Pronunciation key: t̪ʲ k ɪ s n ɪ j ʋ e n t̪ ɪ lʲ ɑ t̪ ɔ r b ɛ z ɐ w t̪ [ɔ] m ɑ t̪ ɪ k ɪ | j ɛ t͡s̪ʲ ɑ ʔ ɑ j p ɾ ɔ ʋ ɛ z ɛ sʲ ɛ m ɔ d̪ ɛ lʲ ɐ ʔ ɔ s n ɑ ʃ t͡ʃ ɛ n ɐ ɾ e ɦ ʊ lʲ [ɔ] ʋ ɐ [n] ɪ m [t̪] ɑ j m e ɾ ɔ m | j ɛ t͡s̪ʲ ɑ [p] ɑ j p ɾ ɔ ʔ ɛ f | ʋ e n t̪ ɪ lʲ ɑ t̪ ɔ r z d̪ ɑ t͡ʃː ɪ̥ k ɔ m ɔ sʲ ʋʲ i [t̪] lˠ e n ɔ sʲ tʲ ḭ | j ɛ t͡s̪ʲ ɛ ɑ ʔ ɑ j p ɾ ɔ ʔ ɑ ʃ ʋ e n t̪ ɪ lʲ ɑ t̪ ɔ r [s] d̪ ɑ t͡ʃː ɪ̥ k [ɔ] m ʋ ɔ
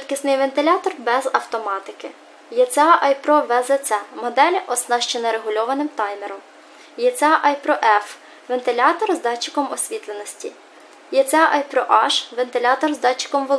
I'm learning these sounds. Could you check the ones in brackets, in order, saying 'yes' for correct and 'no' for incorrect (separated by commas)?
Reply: yes, yes, yes, yes, no, yes, no, yes